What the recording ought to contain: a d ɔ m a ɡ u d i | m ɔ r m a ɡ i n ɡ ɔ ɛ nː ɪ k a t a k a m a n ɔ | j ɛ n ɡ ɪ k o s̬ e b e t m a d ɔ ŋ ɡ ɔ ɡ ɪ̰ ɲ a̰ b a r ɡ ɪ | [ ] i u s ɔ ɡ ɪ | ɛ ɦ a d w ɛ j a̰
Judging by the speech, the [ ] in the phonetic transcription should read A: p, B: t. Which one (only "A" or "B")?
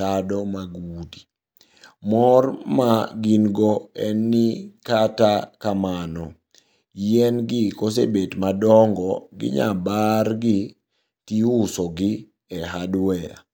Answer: B